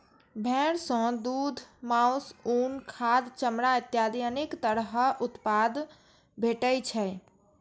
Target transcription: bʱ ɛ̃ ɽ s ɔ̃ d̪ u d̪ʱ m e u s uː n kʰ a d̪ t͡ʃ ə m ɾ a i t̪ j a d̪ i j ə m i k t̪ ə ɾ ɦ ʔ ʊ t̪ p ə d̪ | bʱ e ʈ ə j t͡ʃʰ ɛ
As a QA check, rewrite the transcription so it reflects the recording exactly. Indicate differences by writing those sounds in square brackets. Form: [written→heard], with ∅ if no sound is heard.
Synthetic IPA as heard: bʱ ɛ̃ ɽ s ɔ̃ d̪ u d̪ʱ m [e→a] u s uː n kʰ a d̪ t͡ʃ ə m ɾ a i t̪ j a d̪ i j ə [m→n] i k t̪ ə ɾ ɦ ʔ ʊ t̪ p [ə→a] d̪ | bʱ e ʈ ə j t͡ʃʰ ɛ